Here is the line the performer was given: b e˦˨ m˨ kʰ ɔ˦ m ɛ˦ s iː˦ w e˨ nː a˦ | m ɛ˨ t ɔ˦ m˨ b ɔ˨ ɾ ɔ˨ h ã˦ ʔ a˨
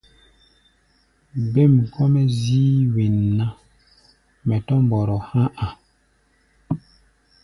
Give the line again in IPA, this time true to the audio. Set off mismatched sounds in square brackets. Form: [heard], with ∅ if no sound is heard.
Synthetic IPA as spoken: b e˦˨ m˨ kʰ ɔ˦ m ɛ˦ [z] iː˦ w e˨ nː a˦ | m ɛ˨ t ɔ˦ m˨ b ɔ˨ ɾ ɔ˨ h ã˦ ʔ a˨